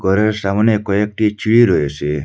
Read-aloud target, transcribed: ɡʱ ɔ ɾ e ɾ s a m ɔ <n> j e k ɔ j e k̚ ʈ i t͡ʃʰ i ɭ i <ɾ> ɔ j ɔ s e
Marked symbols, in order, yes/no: yes, yes

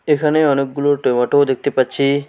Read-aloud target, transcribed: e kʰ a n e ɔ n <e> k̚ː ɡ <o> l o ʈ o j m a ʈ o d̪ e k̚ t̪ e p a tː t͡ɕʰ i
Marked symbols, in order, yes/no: yes, no

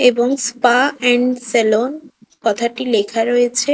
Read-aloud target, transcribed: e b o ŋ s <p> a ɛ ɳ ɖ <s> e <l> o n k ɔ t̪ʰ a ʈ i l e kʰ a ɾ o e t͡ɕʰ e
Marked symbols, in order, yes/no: yes, yes, yes

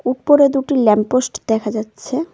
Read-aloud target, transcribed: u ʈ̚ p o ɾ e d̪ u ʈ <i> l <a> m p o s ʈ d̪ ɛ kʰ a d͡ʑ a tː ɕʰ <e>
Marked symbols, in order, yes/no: yes, no, yes

